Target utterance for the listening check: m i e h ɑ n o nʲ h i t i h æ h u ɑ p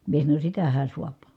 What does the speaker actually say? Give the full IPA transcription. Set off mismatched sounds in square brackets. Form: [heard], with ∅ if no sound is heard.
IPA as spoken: m i e [s] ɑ n o nʲ [s] i t [æ] h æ [s] u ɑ p